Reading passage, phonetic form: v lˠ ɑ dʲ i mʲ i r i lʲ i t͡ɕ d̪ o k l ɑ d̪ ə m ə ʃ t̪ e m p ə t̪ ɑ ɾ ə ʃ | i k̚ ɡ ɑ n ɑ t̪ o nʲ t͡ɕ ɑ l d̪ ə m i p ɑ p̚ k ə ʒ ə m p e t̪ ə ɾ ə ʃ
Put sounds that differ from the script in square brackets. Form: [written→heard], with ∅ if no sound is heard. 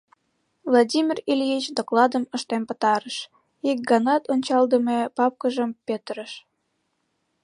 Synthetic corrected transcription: v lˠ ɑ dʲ i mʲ i r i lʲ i t͡ɕ d̪ o k l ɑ d̪ ə m ə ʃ t̪ e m p ə t̪ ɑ ɾ ə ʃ | i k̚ ɡ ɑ n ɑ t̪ o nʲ t͡ɕ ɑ l d̪ ə m [i→e] p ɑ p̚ k ə ʒ ə m p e t̪ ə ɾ ə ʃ